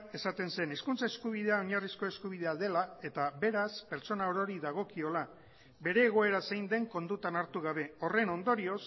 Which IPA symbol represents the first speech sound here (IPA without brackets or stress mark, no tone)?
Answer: e̞